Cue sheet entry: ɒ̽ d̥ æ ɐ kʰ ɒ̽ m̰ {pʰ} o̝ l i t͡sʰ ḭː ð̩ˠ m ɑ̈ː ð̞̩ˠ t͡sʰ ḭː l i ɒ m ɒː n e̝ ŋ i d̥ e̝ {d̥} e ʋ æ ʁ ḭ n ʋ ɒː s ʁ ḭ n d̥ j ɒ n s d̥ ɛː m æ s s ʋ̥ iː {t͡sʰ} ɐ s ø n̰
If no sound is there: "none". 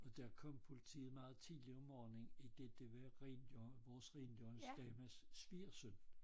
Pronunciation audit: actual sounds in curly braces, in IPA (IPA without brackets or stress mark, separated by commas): pʰ, d̥, none